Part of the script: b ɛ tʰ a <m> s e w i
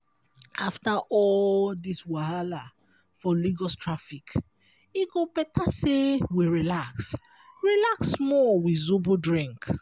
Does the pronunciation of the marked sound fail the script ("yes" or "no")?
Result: yes